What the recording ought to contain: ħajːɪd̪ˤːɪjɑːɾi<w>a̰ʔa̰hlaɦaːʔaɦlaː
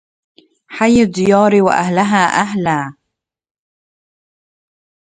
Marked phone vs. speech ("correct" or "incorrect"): correct